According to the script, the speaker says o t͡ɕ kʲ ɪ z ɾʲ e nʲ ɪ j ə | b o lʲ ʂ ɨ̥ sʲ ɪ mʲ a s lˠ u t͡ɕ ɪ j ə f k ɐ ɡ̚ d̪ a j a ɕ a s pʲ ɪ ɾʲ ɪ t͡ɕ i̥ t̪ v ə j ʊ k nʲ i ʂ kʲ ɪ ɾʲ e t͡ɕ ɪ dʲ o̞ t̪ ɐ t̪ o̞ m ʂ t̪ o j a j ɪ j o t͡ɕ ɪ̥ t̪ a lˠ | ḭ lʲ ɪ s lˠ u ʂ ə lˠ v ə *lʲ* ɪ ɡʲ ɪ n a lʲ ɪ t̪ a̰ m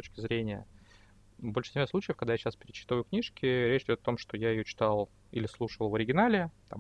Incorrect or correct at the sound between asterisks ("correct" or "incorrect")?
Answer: incorrect